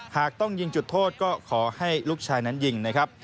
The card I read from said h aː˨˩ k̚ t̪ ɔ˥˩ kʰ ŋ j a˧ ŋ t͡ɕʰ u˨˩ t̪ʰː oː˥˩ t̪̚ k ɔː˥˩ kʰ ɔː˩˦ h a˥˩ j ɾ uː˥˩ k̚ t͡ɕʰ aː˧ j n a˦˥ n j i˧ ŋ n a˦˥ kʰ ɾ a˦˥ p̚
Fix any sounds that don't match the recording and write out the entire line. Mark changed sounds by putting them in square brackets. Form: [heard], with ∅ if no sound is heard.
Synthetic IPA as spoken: h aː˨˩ k̚ t̪ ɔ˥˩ [∅] ŋ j [i˧] ŋ [t͡ɕ] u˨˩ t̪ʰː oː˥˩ t̪̚ k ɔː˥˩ kʰ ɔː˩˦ h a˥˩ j [l] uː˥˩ k̚ t͡ɕʰ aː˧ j n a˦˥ n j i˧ ŋ n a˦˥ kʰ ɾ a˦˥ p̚